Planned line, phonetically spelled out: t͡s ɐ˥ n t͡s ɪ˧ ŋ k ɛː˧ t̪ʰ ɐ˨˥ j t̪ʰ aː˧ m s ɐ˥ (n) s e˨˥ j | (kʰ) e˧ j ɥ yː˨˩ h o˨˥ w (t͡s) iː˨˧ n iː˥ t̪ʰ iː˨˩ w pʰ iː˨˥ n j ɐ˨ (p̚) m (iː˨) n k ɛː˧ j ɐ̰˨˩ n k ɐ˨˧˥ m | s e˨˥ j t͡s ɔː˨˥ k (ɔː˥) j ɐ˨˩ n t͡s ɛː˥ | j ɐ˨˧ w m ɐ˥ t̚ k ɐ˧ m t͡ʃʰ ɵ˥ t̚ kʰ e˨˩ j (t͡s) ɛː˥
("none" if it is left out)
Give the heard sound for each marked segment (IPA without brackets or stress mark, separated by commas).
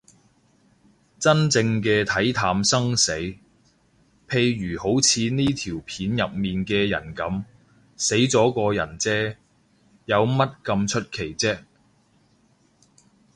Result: ŋ, pʰ, t͡sʰ, p̚, iː˨, ɔː˧, t͡s